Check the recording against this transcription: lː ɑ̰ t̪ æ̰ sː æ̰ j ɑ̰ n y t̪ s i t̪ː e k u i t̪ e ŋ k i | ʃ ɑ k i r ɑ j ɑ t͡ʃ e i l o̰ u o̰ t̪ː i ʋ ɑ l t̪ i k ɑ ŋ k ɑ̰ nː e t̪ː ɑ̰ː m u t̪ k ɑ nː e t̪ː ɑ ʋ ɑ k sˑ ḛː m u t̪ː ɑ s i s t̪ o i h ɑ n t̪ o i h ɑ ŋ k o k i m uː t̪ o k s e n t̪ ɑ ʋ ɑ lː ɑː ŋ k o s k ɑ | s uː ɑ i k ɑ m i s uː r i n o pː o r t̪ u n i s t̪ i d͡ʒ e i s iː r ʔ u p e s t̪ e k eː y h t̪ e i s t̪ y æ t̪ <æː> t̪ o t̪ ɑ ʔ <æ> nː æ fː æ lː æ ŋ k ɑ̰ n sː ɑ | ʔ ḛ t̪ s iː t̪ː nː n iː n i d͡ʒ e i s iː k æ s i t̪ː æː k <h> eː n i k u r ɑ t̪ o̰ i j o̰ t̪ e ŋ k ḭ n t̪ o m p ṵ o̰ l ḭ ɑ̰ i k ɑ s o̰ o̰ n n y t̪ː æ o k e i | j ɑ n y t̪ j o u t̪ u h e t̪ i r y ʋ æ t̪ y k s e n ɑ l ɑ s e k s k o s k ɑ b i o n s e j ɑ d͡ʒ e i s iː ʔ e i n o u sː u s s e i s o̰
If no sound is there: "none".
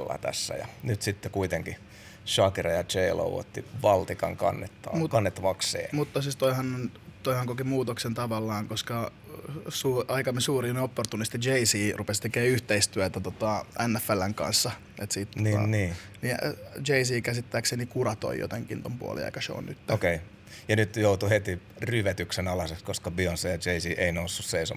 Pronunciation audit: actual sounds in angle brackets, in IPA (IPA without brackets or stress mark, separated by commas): æ, æ, s